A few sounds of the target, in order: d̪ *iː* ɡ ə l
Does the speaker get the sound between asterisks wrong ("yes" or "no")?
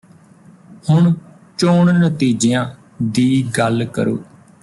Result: no